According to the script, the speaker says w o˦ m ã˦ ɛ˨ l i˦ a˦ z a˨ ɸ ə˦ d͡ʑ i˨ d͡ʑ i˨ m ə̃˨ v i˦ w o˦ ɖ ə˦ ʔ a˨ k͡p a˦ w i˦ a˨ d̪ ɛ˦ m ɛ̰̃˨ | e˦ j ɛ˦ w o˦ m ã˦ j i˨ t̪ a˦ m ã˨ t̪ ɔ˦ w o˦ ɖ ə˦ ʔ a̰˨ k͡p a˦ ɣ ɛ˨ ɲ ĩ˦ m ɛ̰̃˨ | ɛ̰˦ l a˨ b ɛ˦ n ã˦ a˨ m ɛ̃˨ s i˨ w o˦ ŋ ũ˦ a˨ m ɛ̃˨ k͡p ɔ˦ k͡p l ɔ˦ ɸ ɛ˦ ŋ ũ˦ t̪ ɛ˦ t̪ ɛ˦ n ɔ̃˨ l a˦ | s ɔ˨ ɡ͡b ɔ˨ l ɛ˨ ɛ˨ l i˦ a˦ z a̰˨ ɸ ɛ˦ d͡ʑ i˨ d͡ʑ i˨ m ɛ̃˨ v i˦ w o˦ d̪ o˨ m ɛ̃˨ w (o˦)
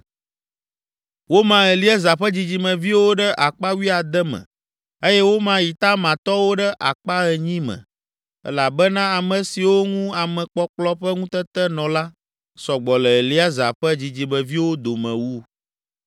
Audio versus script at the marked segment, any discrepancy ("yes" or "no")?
yes